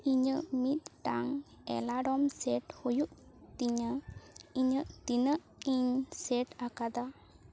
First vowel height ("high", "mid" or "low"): high